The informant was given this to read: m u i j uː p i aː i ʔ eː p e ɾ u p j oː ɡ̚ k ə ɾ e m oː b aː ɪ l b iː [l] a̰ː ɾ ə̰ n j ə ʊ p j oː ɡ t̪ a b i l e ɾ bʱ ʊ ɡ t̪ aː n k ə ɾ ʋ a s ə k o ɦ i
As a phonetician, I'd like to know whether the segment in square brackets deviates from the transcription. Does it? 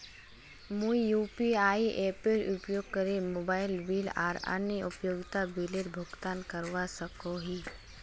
no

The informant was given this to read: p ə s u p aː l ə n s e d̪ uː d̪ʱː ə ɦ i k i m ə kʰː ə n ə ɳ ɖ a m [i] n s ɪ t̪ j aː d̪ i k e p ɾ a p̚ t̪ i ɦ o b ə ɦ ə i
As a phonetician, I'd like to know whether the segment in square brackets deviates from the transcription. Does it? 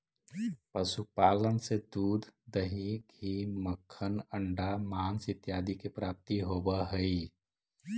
yes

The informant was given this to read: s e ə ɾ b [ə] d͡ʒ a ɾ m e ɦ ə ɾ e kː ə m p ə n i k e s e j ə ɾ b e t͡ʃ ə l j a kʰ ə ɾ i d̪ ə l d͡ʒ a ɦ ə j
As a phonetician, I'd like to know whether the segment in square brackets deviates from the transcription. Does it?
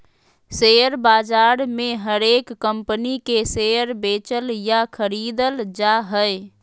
yes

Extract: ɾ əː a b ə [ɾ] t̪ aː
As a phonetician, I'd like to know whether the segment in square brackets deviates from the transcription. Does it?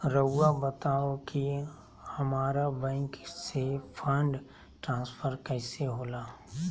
yes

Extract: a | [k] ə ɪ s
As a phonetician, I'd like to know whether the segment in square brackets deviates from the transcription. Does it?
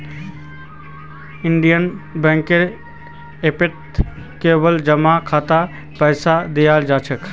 yes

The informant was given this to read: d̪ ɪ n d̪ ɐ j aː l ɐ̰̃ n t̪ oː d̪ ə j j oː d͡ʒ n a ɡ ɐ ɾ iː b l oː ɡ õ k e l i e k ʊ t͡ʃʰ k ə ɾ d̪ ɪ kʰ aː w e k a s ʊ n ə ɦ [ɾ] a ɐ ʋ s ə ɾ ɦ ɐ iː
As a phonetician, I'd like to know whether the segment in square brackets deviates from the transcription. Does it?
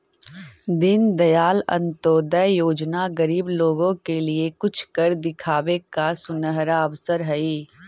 no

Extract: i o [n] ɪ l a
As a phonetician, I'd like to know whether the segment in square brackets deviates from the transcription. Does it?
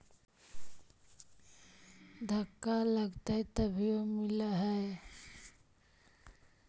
yes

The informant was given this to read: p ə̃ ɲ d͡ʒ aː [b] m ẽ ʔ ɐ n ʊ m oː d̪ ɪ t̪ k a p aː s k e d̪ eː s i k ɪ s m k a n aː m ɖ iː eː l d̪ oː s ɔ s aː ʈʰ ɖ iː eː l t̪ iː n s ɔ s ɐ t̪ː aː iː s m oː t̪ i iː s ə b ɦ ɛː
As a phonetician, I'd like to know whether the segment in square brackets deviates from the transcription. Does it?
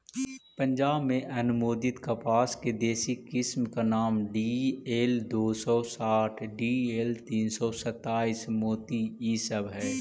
no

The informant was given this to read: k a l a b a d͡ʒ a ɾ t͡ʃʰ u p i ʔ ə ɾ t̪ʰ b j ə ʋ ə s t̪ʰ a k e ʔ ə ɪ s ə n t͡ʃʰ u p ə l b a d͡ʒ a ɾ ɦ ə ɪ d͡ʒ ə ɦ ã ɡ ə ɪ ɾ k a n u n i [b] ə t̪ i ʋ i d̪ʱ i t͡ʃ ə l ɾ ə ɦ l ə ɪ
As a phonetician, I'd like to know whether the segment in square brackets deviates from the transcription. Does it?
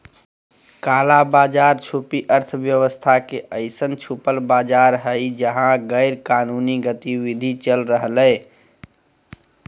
yes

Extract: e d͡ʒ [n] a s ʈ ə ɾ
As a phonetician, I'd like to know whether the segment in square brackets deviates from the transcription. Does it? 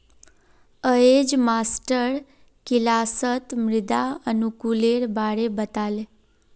yes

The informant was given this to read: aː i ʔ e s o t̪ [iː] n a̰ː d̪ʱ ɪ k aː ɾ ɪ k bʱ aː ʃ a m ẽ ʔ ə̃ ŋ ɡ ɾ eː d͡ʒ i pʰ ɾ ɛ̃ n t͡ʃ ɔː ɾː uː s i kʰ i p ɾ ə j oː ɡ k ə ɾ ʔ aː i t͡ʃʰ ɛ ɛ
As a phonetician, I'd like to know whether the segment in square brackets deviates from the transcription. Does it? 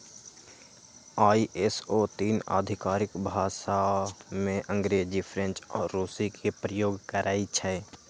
no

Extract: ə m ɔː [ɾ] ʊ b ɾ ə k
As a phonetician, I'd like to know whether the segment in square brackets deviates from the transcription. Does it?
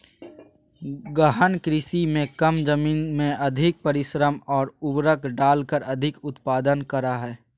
no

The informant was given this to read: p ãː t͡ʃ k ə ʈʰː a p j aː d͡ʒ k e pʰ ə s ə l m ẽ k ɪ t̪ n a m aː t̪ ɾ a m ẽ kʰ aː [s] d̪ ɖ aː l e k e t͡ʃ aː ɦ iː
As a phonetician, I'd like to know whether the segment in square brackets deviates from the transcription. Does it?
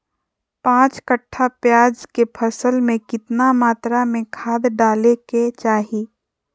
yes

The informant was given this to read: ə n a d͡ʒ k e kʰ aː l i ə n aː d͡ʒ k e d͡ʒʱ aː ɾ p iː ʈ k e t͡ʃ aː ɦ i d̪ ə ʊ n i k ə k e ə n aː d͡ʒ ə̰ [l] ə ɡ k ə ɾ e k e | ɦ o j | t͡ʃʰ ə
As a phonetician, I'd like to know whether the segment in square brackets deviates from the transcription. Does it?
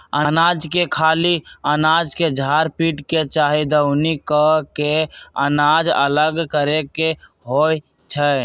no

